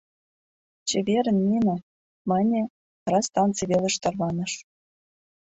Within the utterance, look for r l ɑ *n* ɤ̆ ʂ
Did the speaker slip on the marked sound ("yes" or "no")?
no